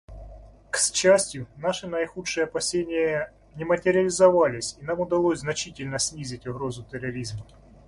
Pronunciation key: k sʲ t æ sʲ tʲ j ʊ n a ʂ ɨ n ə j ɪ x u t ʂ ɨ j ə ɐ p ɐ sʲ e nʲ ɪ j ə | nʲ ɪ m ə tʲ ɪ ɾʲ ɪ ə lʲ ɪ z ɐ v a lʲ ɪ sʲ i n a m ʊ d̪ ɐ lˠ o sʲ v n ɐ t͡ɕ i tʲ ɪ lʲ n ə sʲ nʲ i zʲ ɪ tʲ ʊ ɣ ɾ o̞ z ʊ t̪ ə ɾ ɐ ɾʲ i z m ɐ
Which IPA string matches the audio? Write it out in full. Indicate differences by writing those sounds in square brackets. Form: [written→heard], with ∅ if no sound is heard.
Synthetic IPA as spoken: k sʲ [t→t͡ɕ] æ sʲ tʲ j ʊ n a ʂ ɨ n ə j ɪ x u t ʂ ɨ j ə ɐ p ɐ sʲ e nʲ ɪ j ə | nʲ ɪ m ə tʲ ɪ ɾʲ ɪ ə lʲ ɪ z ɐ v a lʲ ɪ sʲ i n a m ʊ d̪ ɐ lˠ o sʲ [v→z] n ɐ t͡ɕ i tʲ ɪ lʲ n ə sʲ nʲ i zʲ ɪ tʲ ʊ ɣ ɾ o̞ z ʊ t̪ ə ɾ ɐ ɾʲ i z m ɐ